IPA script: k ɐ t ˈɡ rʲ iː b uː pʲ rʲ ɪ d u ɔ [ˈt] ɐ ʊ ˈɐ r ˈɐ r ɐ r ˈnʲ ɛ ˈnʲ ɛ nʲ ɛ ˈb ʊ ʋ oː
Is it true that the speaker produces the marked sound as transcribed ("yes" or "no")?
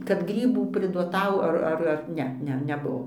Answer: yes